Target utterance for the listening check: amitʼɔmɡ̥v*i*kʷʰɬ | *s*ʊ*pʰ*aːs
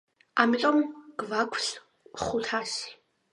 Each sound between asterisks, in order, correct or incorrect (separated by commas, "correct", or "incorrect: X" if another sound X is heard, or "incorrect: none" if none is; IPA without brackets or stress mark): incorrect: a, incorrect: χ, incorrect: tʰ